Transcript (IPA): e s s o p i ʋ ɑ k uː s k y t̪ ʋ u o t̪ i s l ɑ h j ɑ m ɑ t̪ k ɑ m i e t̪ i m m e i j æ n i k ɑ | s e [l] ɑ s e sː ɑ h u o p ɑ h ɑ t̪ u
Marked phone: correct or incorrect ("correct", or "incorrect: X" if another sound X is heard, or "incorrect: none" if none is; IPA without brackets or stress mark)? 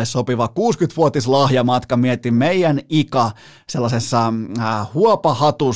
incorrect: lː